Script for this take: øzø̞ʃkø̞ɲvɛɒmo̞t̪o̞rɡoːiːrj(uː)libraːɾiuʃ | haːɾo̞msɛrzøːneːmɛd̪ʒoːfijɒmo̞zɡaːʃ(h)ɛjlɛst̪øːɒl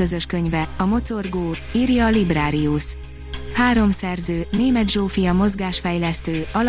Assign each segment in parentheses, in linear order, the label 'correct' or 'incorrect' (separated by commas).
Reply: incorrect, incorrect